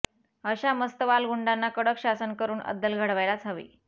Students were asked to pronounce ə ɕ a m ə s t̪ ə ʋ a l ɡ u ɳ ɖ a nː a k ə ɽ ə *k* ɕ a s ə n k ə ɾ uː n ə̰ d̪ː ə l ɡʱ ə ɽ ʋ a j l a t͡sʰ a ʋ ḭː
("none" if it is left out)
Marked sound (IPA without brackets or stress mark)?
k